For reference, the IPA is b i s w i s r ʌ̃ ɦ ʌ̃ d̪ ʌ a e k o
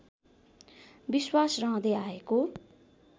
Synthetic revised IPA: b i s w a s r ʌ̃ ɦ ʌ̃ d̪ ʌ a e k o